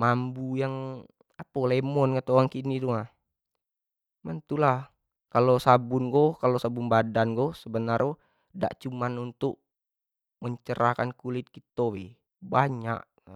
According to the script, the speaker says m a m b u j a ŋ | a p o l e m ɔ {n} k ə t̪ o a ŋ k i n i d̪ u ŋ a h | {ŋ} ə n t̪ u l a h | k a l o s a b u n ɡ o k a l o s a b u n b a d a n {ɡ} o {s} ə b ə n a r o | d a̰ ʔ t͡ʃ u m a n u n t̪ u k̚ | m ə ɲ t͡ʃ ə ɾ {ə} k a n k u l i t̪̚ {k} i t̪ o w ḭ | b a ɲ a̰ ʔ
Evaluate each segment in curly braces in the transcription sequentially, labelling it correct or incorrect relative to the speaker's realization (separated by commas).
correct, incorrect, correct, correct, incorrect, correct